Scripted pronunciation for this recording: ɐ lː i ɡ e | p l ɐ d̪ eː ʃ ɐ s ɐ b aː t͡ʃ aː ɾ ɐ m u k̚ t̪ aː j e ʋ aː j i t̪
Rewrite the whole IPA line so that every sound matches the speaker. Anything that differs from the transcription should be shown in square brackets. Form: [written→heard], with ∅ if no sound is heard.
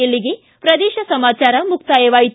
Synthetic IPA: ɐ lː i ɡ e | p [l→ɾ] ɐ d̪ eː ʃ ɐ s ɐ [b→m] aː t͡ʃ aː ɾ ɐ m u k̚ t̪ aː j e ʋ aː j i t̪